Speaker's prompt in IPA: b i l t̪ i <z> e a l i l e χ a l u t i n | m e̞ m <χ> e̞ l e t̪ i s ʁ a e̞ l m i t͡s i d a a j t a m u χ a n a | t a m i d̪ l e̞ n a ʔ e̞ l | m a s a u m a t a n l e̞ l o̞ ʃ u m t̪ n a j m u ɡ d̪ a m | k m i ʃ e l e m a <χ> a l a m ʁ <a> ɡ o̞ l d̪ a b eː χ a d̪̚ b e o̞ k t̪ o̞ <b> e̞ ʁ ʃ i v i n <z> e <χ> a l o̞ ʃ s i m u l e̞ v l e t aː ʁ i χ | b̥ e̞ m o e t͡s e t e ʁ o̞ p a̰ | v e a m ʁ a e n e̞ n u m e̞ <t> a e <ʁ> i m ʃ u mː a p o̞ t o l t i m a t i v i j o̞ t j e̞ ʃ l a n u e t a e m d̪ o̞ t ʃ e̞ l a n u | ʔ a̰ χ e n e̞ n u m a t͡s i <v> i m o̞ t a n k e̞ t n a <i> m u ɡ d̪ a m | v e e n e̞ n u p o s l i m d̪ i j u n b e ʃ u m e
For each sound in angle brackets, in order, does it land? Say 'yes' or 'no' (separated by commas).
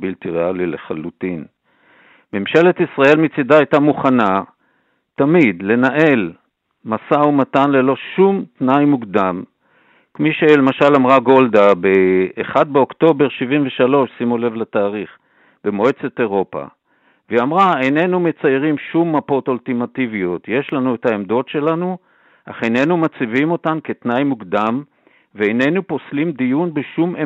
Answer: no, no, no, yes, yes, no, no, no, yes, yes, no